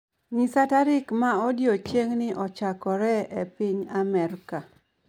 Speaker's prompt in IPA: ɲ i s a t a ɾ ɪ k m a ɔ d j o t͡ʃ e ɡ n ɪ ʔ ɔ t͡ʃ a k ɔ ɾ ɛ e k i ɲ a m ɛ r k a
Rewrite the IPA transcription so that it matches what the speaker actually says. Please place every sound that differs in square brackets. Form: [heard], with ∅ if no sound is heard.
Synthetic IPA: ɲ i s a t a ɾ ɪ k m a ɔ d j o t͡ʃ e [ŋ] n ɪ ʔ ɔ t͡ʃ a k ɔ ɾ ɛ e [p] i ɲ a m ɛ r k a